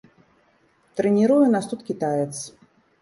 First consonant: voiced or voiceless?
voiceless